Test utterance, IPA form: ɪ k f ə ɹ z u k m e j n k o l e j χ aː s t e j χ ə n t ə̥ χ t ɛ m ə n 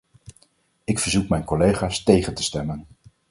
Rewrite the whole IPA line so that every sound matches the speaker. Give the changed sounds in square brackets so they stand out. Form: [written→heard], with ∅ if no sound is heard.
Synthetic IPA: ɪ k f ə ɹ z u k m [e→ɛ] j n k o l e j χ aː s t e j χ ə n t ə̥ [χ→s] t ɛ m ə n